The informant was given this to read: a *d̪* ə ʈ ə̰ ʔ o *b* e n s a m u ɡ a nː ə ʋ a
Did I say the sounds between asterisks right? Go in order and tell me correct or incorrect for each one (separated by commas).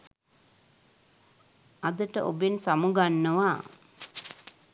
correct, correct